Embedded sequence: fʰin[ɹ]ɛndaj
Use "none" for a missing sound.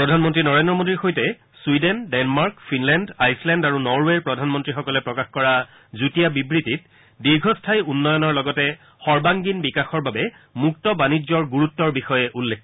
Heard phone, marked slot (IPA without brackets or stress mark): l